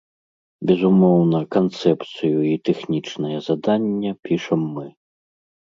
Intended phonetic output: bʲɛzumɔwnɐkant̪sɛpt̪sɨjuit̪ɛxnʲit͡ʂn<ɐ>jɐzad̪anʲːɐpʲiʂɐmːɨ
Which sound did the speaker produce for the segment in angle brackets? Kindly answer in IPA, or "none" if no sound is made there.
ɐ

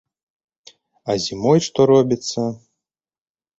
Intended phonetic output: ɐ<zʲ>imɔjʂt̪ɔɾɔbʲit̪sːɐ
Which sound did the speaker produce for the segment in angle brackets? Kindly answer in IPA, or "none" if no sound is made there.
zʲ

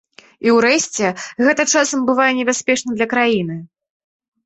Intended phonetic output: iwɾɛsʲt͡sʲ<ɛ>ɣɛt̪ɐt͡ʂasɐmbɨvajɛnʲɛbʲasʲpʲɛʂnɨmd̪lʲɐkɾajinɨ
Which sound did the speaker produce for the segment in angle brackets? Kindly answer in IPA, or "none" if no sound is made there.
ɛ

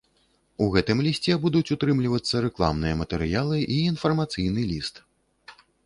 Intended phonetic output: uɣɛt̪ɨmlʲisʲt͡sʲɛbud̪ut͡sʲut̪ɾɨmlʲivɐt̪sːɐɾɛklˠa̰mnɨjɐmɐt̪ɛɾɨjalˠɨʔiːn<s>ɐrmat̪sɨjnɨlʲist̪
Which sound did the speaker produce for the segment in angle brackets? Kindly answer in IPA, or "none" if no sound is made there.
f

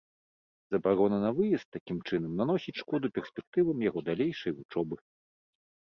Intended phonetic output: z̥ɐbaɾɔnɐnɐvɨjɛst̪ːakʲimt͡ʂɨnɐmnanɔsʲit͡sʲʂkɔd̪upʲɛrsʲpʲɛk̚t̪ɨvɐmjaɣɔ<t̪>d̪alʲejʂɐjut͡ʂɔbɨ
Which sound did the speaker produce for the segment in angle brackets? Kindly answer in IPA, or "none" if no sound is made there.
none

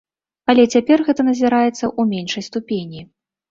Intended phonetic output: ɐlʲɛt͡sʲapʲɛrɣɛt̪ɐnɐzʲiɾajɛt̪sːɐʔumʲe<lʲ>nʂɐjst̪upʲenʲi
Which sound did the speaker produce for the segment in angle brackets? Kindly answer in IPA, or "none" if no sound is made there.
none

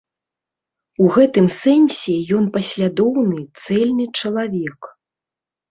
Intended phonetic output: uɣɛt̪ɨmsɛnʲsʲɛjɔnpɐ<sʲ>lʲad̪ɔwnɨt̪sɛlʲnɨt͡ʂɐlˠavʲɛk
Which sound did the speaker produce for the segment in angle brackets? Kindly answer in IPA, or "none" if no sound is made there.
sʲ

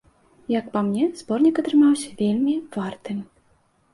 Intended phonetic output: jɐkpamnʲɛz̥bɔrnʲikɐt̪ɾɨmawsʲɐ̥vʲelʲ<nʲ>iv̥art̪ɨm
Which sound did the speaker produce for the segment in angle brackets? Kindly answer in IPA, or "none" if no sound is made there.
mʲ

